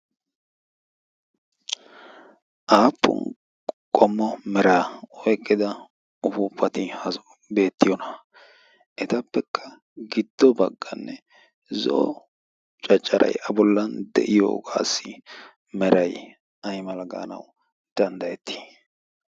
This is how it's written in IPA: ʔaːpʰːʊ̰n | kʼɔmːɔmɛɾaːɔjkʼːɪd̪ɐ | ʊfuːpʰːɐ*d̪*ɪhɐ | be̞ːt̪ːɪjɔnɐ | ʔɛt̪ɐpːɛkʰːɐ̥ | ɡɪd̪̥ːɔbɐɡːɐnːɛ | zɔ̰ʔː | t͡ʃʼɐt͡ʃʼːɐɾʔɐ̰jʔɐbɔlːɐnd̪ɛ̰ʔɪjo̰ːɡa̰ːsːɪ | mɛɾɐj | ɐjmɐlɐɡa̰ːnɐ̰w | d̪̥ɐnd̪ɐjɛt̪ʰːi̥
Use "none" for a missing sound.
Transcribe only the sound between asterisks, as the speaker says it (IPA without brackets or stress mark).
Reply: t̪